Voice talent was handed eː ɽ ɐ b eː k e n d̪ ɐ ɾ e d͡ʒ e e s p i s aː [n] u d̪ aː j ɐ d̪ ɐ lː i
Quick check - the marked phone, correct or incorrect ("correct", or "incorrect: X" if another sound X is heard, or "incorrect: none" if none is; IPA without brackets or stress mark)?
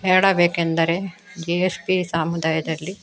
incorrect: m